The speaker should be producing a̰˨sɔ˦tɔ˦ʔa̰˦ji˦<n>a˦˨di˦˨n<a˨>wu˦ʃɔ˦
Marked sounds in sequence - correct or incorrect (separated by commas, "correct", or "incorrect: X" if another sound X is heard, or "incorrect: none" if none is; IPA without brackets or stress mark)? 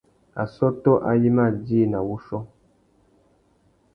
incorrect: m, correct